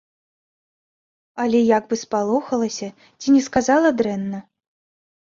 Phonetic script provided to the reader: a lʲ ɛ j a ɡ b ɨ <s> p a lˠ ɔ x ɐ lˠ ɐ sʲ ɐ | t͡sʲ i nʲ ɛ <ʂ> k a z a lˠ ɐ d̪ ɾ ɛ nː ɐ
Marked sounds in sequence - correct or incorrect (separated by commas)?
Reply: correct, incorrect